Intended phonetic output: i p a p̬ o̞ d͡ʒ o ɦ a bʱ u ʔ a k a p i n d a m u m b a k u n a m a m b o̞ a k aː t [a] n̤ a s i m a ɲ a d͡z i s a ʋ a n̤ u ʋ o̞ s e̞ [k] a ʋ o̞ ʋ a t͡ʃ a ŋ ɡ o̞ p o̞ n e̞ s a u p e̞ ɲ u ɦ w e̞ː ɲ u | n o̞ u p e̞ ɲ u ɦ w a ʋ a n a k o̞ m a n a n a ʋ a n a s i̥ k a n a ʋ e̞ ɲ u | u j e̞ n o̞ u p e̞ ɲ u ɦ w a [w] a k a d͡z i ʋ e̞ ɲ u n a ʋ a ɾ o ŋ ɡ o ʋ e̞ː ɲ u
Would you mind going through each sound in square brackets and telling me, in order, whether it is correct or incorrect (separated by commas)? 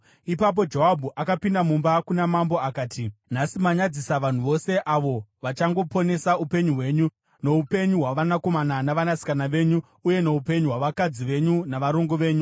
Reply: incorrect, incorrect, incorrect